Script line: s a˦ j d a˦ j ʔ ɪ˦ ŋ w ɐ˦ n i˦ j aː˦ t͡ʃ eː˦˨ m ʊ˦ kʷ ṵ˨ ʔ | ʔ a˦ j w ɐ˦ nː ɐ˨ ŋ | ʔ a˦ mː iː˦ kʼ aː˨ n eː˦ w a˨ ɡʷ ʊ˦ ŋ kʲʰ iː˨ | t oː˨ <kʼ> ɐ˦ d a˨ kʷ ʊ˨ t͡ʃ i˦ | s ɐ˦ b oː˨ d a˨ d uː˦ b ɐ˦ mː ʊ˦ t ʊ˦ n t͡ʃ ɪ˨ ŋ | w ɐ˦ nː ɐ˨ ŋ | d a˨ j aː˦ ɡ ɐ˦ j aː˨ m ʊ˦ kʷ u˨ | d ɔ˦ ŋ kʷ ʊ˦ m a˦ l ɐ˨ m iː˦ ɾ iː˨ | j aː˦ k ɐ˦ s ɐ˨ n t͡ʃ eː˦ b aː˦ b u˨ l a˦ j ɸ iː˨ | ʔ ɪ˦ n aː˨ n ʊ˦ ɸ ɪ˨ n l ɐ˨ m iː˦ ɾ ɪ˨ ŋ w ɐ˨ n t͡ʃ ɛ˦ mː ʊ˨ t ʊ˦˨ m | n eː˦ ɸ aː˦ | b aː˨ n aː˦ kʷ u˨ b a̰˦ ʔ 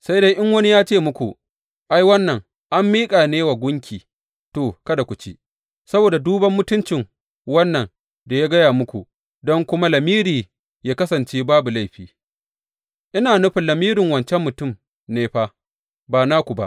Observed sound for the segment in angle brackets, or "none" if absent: k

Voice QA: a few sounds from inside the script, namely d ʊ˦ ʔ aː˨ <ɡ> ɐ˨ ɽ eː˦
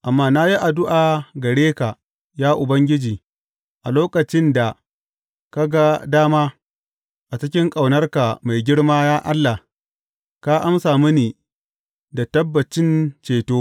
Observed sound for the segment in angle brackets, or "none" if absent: ɡ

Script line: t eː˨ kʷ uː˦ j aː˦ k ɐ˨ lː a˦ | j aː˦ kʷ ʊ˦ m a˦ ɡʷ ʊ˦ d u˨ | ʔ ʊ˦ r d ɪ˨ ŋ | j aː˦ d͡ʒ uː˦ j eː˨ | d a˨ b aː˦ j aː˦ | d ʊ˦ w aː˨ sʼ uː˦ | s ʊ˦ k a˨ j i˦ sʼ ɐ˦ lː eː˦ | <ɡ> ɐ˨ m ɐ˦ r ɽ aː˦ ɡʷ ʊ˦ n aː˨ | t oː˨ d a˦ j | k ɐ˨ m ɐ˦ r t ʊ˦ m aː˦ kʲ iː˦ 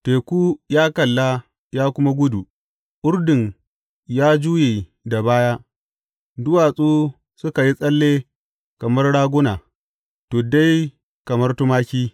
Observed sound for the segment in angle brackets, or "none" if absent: k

